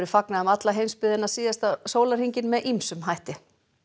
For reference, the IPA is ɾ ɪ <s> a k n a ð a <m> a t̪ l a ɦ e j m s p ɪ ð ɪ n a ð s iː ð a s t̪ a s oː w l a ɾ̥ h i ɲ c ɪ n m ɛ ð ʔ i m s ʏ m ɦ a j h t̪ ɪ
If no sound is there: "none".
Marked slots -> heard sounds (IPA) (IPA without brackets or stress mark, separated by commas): f, m